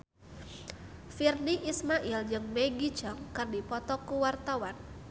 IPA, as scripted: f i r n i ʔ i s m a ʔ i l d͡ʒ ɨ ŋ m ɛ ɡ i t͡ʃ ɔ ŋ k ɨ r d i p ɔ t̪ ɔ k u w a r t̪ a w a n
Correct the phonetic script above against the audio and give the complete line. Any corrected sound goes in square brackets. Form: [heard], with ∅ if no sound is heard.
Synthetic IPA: f i r n i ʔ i s m a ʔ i l d͡ʒ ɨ ŋ m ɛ ɡ i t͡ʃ ɔ ŋ k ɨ r d i p ɔ t̪ ɔ k u w a r t̪ a w a n